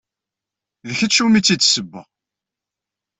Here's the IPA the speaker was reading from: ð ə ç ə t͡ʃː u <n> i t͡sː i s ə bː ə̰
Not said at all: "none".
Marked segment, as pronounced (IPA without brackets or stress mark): m